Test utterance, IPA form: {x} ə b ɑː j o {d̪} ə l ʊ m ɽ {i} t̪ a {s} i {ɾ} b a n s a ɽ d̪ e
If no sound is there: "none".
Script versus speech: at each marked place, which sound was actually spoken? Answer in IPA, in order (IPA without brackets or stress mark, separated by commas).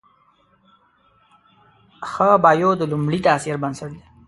x, d̪, i, s, ɾ